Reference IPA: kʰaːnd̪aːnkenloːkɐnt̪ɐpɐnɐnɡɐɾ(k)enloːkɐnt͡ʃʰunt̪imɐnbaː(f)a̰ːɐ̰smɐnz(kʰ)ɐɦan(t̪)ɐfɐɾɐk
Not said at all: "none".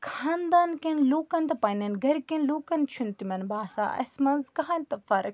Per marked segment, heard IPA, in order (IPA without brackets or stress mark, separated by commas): k, s, k, t̪